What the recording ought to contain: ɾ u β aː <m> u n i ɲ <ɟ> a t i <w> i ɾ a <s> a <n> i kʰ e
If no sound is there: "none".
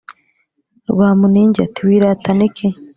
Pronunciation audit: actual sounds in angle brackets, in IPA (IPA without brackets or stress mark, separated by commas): m, ɟ, w, t, n